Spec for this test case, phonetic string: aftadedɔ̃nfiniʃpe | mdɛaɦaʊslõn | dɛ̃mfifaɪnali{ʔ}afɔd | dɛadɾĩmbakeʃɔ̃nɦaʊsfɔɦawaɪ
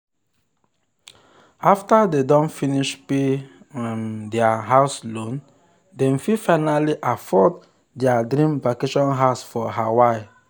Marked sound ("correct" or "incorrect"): correct